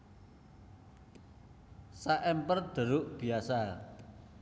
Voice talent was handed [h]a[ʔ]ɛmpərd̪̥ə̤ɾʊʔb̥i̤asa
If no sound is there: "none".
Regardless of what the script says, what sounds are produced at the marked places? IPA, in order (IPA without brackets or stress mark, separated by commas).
s, ʔ